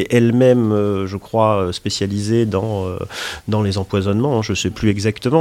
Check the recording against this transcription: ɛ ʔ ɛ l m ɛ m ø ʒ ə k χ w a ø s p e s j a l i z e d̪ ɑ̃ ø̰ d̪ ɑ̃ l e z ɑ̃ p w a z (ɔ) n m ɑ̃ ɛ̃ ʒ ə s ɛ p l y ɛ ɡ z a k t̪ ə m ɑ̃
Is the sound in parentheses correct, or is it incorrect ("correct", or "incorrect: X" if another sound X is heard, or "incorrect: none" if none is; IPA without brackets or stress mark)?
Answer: correct